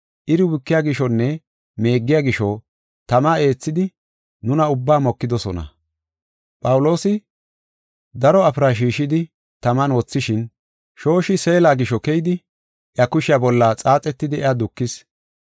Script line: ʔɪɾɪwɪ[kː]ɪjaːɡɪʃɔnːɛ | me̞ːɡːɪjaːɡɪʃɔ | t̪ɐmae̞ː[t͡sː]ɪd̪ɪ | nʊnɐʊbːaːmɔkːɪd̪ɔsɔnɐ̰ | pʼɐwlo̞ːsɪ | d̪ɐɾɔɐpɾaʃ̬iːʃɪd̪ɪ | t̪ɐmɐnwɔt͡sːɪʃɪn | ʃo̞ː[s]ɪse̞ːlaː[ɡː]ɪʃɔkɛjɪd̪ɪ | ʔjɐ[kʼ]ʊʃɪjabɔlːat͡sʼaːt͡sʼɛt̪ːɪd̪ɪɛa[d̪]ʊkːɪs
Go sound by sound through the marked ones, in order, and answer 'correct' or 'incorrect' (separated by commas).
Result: correct, correct, incorrect, incorrect, incorrect, correct